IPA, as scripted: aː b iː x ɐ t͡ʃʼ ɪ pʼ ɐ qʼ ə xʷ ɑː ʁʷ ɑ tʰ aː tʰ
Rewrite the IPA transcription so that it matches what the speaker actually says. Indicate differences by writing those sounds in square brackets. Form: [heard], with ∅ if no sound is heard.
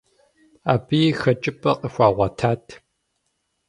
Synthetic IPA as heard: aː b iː x ɐ t͡ʃʼ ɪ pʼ ɐ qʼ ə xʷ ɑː ʁʷ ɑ tʰ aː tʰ